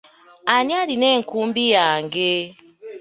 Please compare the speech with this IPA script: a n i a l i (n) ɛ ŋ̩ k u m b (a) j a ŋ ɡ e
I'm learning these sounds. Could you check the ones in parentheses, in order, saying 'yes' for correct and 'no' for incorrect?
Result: yes, no

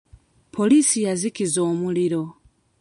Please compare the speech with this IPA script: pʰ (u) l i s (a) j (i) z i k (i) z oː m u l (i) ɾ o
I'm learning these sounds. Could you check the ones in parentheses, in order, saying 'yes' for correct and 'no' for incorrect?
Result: no, no, no, yes, yes

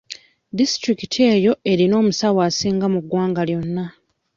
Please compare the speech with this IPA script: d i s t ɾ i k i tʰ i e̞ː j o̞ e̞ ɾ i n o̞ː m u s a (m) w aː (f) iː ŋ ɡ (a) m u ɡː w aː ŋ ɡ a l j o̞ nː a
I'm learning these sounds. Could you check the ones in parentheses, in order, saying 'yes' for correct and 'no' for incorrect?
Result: no, no, yes

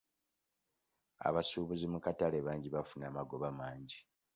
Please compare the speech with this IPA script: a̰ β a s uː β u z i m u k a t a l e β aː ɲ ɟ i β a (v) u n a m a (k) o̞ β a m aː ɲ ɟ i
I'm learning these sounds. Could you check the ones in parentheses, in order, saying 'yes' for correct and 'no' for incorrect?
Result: no, no

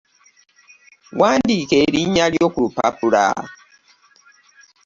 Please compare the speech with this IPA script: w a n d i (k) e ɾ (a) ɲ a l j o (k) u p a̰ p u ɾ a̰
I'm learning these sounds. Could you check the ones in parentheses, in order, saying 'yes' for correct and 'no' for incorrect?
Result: yes, no, yes

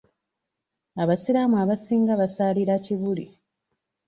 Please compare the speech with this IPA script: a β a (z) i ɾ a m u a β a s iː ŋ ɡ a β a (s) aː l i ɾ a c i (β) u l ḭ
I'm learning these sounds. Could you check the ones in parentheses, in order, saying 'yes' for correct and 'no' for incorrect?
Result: no, yes, yes

